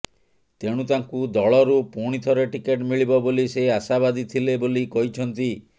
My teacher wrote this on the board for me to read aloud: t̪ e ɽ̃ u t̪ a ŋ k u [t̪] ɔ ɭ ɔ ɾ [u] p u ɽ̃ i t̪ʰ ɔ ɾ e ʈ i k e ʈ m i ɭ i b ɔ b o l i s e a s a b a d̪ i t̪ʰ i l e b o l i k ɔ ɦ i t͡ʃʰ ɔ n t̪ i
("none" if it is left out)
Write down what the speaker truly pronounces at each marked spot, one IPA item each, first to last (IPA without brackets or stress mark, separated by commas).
d̪, u